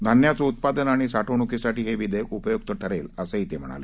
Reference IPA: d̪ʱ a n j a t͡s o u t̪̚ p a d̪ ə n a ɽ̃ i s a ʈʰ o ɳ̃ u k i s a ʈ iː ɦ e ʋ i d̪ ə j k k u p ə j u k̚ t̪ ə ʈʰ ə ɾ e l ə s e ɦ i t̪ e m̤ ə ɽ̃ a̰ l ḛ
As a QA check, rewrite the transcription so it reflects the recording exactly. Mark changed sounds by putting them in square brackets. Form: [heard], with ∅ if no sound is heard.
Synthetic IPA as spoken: d̪ʱ a n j a t͡s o u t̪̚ p a d̪ ə n a ɽ̃ i s a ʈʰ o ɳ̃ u k i s a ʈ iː ɦ e ʋ i d̪ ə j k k u p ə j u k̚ t̪ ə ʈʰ ə ɾ e l ə s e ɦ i t̪ e m̤ ə ɽ̃ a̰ l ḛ